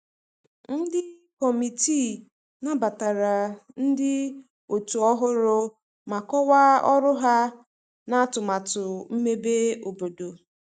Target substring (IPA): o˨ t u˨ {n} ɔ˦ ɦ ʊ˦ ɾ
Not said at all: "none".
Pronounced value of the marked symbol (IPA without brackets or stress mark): none